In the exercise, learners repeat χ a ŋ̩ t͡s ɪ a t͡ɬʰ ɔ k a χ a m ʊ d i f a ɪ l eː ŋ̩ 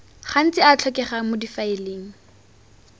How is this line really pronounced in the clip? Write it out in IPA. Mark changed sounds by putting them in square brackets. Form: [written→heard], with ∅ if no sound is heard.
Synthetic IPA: χ a [ŋ̩→n̩] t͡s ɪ a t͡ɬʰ ɔ k [a→ɛ] χ a m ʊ d i f a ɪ l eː ŋ̩